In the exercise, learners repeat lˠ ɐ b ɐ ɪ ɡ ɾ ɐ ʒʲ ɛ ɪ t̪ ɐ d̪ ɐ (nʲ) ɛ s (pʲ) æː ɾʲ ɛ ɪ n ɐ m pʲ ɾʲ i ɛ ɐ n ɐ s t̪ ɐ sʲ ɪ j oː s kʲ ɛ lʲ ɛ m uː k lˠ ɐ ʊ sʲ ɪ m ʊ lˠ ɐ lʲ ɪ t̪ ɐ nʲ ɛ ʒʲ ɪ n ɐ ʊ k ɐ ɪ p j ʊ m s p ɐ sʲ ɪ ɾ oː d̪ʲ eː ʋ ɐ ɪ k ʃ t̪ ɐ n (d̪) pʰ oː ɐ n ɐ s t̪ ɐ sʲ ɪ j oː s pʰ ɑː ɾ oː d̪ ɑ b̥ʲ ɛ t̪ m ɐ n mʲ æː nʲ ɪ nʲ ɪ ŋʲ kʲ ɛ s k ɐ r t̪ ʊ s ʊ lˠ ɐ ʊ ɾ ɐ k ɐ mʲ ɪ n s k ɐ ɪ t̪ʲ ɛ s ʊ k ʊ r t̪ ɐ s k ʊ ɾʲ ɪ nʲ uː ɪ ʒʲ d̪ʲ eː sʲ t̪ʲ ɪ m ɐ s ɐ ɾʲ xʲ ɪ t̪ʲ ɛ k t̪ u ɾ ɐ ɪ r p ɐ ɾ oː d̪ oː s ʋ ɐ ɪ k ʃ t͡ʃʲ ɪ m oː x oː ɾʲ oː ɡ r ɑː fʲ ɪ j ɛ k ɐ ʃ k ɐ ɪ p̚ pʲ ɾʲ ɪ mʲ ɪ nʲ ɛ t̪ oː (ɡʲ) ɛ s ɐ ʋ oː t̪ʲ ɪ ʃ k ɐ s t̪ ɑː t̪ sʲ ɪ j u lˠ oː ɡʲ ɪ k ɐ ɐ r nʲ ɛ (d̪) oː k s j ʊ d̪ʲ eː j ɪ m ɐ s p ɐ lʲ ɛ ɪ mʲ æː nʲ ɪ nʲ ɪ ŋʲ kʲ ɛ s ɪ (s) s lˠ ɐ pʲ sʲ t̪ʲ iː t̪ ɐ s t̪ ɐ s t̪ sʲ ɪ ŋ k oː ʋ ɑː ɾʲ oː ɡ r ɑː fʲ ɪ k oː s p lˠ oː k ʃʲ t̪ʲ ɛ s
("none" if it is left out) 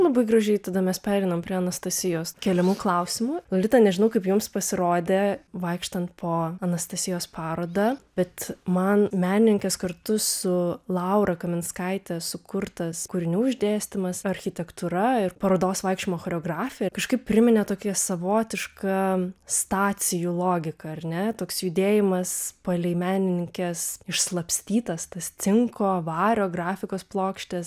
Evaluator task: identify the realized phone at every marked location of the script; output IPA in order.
mʲ, pʲ, t̪, kʲ, t̪, ʃ

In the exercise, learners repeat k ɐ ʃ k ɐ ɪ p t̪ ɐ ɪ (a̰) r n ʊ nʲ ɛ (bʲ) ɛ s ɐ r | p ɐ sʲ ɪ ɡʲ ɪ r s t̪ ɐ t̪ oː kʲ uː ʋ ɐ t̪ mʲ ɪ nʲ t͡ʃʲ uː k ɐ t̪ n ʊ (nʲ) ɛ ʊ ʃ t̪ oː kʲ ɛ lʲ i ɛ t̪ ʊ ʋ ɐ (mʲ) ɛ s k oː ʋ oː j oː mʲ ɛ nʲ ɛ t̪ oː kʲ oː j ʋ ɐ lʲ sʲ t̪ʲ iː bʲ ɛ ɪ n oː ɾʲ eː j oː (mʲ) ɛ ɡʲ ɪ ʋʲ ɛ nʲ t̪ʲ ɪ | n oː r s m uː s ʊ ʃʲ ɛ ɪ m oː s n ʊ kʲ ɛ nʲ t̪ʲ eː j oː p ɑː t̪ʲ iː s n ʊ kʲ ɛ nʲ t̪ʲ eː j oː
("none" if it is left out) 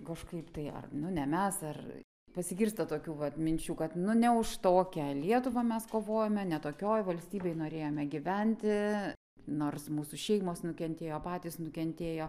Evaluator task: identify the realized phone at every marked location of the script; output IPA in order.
ɐ̰, mʲ, nʲ, mʲ, mʲ

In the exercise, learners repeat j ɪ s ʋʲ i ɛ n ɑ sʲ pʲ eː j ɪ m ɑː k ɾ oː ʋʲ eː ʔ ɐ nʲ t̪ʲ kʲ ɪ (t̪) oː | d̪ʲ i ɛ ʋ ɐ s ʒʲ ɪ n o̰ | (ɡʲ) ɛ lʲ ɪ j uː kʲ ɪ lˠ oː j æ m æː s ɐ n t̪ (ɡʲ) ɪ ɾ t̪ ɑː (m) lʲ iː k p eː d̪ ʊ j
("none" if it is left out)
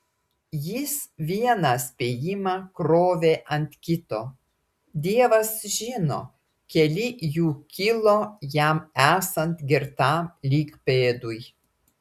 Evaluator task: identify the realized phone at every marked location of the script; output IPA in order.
t̪, kʲ, ɡʲ, m

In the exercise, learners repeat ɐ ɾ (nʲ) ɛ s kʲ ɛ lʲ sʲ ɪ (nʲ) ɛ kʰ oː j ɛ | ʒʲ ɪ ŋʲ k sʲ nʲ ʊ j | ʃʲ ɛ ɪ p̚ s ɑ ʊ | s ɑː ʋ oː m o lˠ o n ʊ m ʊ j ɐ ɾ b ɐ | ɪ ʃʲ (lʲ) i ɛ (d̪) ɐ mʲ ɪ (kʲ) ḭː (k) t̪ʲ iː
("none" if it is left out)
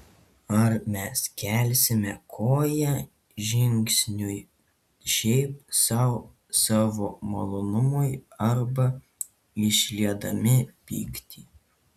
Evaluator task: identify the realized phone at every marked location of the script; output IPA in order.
mʲ, mʲ, lʲ, d̪, pʲ, k

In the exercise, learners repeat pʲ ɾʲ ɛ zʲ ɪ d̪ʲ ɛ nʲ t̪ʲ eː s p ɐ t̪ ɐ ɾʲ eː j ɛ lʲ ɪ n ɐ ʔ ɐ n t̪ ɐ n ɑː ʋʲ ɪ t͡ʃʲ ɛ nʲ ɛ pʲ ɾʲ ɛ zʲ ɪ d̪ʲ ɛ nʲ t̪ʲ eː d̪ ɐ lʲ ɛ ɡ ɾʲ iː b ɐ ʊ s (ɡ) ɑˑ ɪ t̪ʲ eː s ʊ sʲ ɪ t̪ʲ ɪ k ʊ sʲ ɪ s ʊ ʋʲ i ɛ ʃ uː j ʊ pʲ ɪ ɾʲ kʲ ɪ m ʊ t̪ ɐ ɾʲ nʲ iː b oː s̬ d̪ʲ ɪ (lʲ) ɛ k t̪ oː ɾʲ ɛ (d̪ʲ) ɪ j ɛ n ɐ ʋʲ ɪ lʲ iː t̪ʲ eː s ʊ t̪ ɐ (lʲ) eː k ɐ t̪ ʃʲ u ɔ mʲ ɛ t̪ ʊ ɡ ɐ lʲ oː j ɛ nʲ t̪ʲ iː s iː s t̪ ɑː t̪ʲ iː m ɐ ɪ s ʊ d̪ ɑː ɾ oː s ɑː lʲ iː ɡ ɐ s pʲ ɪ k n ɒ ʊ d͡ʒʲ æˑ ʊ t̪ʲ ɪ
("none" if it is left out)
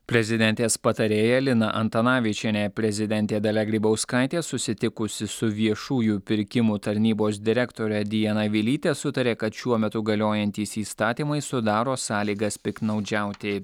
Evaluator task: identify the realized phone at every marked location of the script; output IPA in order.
k, ɾʲ, d̪ʲ, ɾʲ

